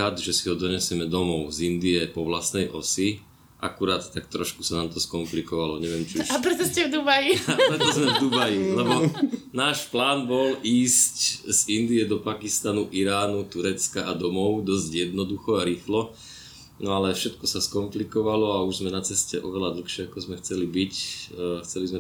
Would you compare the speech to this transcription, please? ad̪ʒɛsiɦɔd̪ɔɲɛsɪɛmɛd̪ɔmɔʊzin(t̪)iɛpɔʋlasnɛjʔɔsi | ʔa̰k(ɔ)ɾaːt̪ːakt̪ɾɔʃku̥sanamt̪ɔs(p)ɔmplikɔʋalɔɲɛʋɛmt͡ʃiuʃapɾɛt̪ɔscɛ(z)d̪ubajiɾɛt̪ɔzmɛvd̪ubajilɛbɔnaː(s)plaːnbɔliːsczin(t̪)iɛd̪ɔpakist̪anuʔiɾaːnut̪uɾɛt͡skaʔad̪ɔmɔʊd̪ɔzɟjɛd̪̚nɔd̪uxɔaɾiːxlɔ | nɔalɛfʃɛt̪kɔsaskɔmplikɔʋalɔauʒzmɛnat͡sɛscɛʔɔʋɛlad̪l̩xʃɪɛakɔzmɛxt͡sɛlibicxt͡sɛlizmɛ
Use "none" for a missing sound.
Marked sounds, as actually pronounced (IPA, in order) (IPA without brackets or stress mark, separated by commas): d̪, u, k, v, ʃ, d̪